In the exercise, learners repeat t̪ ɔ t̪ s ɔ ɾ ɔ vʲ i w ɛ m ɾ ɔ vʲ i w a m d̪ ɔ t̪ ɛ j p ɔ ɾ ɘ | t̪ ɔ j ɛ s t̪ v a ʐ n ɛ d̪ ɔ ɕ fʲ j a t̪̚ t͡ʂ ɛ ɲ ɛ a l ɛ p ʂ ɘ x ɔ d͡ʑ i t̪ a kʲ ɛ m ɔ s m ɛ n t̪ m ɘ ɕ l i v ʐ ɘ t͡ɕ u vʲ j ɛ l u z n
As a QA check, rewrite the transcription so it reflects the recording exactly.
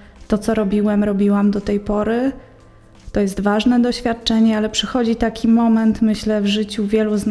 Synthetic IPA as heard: t̪ ɔ t̪ s ɔ ɾ ɔ bʲ i w ɛ m ɾ ɔ bʲ i w a m d̪ ɔ t̪ ɛ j p ɔ ɾ ɘ | t̪ ɔ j ɛ s t̪ v a ʐ n ɛ d̪ ɔ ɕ fʲ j a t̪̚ t͡ʂ ɛ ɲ ɛ a l ɛ p ʂ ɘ x ɔ d͡ʑ i t̪ a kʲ i m ɔ m ɛ n t̪ m ɘ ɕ l ɛ v ʐ ɘ t͡ɕ u vʲ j ɛ l u z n